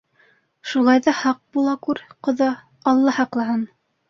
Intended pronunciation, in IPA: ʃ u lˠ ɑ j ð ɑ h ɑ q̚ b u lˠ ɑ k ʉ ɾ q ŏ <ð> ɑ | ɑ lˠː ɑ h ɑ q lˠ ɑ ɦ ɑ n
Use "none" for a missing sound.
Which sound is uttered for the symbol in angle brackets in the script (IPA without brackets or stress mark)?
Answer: ð